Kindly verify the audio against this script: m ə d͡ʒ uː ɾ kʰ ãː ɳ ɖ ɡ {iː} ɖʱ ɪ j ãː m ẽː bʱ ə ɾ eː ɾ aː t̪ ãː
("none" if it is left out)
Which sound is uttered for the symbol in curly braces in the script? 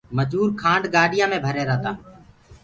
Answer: aː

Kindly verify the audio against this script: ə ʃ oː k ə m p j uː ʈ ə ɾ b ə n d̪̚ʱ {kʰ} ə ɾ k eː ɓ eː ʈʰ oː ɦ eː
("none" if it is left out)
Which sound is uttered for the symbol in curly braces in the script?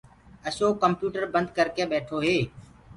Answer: k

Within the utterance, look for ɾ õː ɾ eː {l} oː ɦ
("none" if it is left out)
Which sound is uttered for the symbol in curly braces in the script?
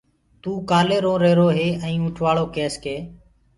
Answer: ɾ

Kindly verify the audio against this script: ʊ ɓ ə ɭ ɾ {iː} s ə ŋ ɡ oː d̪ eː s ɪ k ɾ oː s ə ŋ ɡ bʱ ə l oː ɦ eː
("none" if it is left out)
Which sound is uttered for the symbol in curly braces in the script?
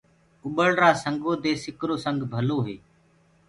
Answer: aː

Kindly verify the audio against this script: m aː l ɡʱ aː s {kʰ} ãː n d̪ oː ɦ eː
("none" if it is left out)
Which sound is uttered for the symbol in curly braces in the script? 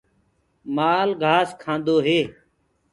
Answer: kʰ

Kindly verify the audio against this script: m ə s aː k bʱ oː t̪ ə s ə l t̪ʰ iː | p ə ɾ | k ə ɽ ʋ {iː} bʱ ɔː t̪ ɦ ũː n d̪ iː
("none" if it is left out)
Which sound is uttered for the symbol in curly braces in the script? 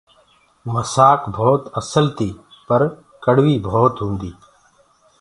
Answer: iː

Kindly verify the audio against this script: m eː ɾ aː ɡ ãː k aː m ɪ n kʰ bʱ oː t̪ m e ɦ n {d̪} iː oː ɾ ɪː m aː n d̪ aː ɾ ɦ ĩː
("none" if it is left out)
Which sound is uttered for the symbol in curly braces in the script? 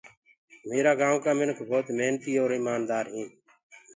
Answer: t̪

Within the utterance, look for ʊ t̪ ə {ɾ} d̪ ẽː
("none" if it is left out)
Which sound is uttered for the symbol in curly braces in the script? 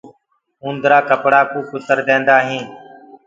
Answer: ɾ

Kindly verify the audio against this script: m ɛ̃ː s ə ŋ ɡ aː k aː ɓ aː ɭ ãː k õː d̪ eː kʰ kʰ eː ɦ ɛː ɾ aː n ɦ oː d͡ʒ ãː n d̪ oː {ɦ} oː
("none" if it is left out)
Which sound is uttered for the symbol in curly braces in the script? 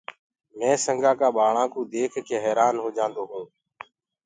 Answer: ɦ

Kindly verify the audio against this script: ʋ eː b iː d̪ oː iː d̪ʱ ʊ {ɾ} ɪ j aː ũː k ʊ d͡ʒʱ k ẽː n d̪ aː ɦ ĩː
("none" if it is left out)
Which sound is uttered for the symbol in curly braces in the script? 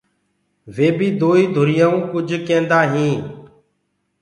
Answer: ɾ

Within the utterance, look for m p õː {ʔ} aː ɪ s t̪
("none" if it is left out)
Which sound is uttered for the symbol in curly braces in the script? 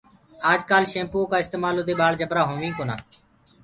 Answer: k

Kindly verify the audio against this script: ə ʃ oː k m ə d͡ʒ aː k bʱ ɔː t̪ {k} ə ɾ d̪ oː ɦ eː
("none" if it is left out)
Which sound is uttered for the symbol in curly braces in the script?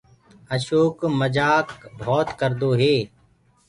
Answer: k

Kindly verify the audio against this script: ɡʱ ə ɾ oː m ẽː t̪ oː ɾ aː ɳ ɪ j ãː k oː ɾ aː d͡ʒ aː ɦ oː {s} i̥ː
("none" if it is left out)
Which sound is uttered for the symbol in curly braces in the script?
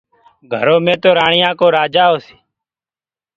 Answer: s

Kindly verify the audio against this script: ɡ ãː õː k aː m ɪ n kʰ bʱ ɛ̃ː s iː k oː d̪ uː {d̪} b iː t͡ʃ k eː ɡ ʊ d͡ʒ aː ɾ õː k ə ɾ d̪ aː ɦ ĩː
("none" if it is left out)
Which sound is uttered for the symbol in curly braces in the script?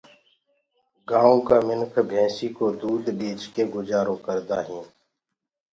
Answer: d̪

